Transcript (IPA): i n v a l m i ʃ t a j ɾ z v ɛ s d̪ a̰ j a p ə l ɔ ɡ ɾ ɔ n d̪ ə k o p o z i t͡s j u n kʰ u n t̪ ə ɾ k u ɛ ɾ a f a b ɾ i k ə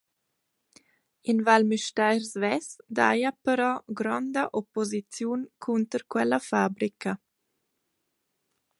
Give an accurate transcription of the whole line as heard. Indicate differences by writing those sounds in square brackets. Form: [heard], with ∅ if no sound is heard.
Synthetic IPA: i n v a l m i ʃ t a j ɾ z v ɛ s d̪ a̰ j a p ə [ɾ] ɔ ɡ ɾ ɔ n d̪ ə [ʔ] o p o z i t͡s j u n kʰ u n t̪ ə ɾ k [w] ɛ [l] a f a b ɾ i k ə